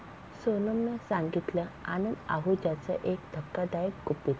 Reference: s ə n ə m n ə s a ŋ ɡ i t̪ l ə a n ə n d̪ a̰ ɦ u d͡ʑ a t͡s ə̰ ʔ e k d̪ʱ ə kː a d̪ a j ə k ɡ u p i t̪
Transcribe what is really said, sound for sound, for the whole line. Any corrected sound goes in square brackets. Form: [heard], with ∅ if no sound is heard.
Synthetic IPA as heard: s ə n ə m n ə s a ŋ ɡ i t̪ l ə a n ə n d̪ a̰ ɦ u d͡ʑ a t͡s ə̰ ʔ e k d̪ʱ ə kː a d̪ a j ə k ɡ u p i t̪